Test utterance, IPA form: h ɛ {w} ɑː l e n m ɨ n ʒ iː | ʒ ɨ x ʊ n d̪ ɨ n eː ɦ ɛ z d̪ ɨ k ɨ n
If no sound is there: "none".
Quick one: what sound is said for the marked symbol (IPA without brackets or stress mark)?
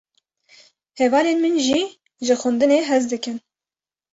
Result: v